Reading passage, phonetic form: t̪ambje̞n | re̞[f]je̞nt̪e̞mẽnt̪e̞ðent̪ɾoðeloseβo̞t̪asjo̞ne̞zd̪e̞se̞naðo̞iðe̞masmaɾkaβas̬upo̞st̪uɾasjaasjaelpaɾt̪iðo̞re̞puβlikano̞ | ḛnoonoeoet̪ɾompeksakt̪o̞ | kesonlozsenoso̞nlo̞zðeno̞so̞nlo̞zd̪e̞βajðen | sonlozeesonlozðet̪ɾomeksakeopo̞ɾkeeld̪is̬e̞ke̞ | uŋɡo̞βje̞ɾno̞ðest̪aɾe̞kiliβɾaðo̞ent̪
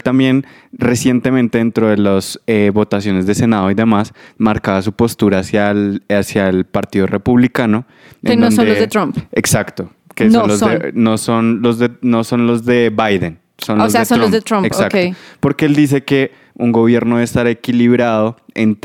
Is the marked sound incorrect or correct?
incorrect